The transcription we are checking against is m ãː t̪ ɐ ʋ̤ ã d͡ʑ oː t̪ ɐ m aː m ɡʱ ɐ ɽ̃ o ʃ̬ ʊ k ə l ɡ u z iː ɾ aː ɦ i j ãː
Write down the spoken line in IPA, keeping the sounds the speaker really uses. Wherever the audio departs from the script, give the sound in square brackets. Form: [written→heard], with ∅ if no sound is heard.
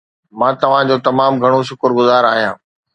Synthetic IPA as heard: m ãː t̪ ɐ ʋ̤ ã d͡ʑ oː t̪ ɐ m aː m ɡʱ ɐ ɽ̃ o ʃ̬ ʊ k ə [l→ɾ] ɡ [u→ʊ] z [iː→aː] ɾ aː ɦ i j ãː